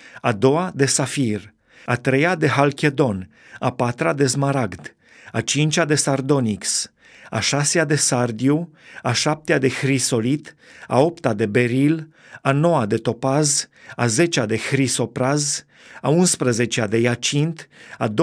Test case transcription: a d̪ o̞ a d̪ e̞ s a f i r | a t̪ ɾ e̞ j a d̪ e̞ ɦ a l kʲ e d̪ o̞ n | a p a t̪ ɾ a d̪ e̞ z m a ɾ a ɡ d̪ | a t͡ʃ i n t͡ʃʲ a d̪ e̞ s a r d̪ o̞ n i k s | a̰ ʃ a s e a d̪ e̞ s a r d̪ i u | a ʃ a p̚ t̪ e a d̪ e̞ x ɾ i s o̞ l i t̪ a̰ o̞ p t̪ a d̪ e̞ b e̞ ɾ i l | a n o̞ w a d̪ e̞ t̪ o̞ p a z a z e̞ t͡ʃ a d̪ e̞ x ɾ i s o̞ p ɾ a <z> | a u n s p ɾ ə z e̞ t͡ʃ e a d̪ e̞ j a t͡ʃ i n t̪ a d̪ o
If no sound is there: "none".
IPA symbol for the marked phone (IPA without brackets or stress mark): z